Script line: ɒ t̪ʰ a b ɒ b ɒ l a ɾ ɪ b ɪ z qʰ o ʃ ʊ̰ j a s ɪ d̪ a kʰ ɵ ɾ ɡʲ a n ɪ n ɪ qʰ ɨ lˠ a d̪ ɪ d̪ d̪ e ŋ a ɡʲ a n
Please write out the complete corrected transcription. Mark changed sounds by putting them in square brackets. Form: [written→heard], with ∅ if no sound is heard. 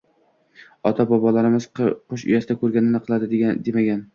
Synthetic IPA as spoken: ɒ t̪ʰ a b ɒ b ɒ l a ɾ ɪ [b→m] ɪ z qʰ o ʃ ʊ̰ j a s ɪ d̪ a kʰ ɵ ɾ ɡʲ a n ɪ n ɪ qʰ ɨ lˠ a d̪ ɪ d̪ d̪ e [ŋ→m] a ɡʲ a n

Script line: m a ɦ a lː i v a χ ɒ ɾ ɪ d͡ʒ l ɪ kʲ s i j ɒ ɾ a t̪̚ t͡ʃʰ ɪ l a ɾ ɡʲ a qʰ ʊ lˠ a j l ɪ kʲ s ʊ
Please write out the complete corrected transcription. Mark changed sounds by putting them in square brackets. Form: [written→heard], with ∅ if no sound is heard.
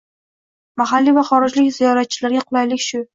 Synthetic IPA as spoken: m a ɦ a lː i v a χ ɒ ɾ ɪ d͡ʒ l ɪ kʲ [s→z] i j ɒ ɾ a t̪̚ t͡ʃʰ ɪ l a ɾ ɡʲ a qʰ ʊ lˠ a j l ɪ kʲ [s→ʃ] ʊ

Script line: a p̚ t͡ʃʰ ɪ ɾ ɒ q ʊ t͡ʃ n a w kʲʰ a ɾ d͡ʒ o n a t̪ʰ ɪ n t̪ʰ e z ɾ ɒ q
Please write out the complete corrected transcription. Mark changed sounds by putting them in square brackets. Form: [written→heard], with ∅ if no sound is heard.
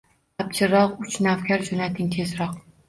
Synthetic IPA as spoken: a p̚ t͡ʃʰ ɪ ɾ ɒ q ʊ t͡ʃ n a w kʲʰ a ɾ d͡ʒ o n a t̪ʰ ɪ [n→ŋ] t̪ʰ e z ɾ ɒ q

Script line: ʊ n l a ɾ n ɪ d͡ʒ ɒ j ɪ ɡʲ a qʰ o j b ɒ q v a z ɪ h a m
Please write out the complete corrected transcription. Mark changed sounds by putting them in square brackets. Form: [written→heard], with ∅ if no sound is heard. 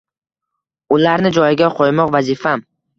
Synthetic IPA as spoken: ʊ [n→∅] l a ɾ n ɪ d͡ʒ ɒ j ɪ ɡʲ a qʰ o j [b→m] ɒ q v a z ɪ [h→f] a m

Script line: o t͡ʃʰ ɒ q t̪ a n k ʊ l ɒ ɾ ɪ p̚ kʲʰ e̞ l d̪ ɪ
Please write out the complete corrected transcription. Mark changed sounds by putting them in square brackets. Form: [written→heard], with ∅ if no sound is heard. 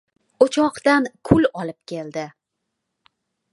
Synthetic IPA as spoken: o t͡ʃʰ ɒ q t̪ a n [k→kʰ] ʊ l ɒ [ɾ→l] ɪ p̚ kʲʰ e̞ l d̪ ɪ

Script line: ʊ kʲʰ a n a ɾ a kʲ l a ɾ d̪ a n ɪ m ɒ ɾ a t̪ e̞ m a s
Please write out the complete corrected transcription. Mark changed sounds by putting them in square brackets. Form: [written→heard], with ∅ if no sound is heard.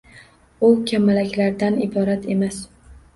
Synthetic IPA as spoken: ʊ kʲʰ a [n→m] a [ɾ→l] a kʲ l a ɾ d̪ a n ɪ [m→b] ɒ ɾ a t̪ e̞ m a s

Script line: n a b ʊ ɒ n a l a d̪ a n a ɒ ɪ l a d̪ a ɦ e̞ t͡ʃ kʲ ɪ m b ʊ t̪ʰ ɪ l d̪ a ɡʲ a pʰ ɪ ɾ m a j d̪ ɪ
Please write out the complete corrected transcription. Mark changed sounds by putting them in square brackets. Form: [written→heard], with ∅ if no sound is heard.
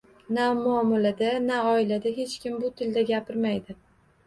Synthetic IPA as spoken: n a [b→m] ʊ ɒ [n→m] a l a d̪ a n a ɒ ɪ l a d̪ a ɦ e̞ t͡ʃ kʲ ɪ m b ʊ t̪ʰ ɪ l d̪ a ɡʲ a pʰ ɪ ɾ m a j d̪ ɪ

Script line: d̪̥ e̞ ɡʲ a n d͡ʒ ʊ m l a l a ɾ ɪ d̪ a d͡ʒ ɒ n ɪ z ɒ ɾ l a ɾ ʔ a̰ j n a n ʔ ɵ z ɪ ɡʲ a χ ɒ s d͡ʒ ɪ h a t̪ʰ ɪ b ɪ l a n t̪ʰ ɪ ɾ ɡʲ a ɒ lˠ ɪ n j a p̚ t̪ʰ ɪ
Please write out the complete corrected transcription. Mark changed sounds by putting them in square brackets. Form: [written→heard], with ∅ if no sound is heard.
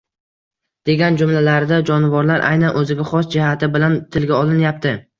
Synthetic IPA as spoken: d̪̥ e̞ ɡʲ a n d͡ʒ ʊ m l a l a ɾ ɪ d̪ a d͡ʒ ɒ n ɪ [z→v] ɒ ɾ l a ɾ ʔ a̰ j n a n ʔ ɵ z ɪ ɡʲ a χ ɒ s d͡ʒ ɪ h a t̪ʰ ɪ b ɪ l a n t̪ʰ ɪ [ɾ→l] ɡʲ a ɒ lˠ ɪ n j a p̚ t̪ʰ ɪ

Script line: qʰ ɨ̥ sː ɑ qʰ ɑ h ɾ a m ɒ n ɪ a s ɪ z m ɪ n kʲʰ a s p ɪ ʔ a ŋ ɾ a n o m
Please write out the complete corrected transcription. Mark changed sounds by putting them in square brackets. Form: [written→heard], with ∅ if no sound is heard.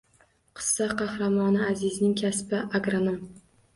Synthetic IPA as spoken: qʰ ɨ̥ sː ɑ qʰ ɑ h ɾ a m ɒ n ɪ a [s→z] ɪ z [m→n] ɪ [n→ŋ] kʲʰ a s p ɪ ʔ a [ŋ→ɡ] ɾ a n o m

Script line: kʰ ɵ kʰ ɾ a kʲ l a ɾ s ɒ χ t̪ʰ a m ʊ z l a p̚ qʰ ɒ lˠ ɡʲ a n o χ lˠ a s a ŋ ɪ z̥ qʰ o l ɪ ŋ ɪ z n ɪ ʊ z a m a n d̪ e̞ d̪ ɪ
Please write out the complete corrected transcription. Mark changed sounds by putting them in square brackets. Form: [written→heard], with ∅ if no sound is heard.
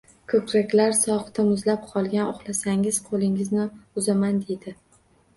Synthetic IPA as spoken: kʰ ɵ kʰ ɾ a kʲ l a ɾ s ɒ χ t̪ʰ a m ʊ z l a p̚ qʰ ɒ lˠ ɡʲ a n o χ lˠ a s a ŋ ɪ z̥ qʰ o l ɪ ŋ ɪ z n ɪ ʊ z a m a n d̪ e̞ d̪ ɪ

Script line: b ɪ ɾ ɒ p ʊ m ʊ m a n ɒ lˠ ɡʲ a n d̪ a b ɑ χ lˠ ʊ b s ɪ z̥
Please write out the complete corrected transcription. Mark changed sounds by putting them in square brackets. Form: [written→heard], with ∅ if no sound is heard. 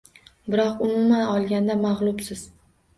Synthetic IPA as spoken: b ɪ ɾ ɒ [p→q] ʊ m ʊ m a n ɒ lˠ ɡʲ a n d̪ a [b→m] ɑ [χ→ʁ] lˠ ʊ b s ɪ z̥

